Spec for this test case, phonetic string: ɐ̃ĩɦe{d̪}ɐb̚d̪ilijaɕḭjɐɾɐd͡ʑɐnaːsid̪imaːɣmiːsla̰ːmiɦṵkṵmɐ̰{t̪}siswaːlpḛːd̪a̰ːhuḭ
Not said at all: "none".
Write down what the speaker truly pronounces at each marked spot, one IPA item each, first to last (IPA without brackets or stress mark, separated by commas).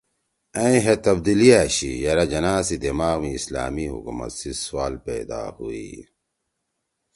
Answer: t̪, t̪